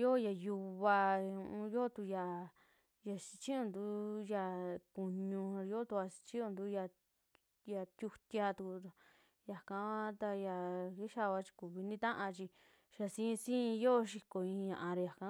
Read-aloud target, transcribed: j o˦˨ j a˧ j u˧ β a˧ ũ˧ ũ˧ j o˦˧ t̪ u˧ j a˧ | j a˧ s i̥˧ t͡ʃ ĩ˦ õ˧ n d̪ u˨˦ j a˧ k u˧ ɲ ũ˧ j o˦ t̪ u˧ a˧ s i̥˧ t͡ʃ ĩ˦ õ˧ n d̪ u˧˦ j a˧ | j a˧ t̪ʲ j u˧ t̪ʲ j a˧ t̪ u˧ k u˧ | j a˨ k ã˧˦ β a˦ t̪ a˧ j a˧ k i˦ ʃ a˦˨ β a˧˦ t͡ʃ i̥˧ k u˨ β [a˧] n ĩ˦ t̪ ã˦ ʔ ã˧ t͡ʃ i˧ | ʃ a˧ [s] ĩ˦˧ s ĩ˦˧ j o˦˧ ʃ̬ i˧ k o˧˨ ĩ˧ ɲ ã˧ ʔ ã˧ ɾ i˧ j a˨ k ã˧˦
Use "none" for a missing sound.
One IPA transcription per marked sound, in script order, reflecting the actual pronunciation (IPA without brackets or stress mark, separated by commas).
i˧, s